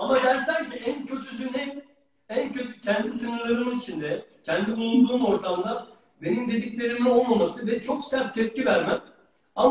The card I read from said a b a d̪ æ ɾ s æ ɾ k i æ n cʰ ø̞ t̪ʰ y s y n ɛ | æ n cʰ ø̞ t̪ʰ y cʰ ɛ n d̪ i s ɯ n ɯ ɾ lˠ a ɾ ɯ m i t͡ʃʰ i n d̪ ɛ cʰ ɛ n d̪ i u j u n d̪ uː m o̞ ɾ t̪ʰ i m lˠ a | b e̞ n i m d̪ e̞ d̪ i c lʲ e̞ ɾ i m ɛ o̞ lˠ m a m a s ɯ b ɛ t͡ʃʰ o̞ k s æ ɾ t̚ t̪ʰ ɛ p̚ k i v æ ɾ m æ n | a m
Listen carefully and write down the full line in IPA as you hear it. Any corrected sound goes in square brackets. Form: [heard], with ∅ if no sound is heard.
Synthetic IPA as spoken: a [m] a d̪ æ ɾ s æ ɾ [c] i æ n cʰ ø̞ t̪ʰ y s y n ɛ | æ n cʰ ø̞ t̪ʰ y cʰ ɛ n d̪ i s ɯ n ɯ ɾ lˠ a ɾ ɯ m i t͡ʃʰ i n d̪ ɛ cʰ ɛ n d̪ i u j u n d̪ uː m o̞ ɾ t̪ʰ [a] m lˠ a | b e̞ n i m d̪ e̞ d̪ i c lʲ e̞ ɾ i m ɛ o̞ lˠ m a m a s ɯ [v] ɛ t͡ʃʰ o̞ k s æ ɾ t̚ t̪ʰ ɛ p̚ [c] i v æ ɾ m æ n | a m